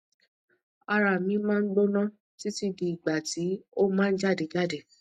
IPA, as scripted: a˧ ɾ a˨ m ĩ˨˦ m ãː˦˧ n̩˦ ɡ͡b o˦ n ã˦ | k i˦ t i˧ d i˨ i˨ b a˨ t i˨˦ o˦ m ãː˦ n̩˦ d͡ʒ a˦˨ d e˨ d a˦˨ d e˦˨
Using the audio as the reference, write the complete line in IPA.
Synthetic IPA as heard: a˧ ɾ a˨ m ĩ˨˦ m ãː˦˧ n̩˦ ɡ͡b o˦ n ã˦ | t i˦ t i˧ d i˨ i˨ ɡ͡b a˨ t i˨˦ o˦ m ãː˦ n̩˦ d͡ʒ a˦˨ d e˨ d͡ʒ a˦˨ d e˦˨